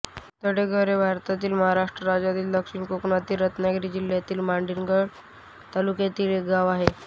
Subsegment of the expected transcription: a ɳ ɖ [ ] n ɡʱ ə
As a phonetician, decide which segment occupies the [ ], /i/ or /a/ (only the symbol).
i